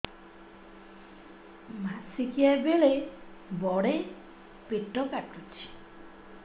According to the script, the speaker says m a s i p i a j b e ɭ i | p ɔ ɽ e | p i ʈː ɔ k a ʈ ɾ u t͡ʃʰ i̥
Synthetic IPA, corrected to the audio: m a s i k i a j b e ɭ e | b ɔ ɽ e | p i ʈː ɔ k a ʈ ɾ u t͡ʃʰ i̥